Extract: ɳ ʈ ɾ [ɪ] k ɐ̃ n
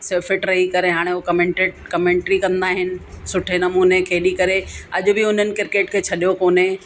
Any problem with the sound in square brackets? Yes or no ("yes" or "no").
yes